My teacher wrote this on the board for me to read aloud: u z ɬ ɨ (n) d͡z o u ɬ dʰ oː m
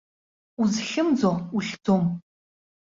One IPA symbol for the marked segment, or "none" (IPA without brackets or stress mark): m